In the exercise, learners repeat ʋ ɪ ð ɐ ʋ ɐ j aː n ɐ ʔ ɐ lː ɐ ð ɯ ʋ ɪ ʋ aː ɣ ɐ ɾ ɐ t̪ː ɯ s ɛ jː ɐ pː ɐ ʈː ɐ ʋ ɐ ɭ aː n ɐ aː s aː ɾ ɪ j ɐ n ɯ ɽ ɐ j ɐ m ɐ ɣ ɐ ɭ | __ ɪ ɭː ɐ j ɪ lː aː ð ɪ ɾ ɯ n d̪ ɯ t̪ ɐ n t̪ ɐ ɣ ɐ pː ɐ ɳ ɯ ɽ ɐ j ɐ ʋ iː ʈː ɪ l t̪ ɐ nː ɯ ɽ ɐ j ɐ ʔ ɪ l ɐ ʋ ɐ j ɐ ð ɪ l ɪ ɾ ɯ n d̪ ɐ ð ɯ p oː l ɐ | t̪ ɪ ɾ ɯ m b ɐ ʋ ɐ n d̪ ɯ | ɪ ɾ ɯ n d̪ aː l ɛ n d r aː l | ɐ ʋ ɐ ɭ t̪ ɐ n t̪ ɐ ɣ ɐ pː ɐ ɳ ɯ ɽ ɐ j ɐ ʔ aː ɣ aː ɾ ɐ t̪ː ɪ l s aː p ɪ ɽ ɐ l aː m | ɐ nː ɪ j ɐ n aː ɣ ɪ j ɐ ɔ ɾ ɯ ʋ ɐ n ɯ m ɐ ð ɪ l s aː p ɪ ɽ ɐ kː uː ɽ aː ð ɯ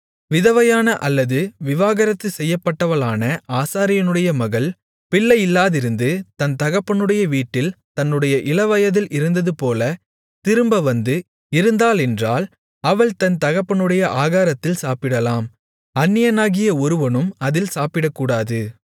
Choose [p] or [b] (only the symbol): p